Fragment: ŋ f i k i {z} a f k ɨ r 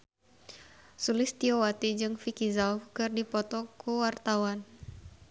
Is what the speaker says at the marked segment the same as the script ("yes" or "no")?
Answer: yes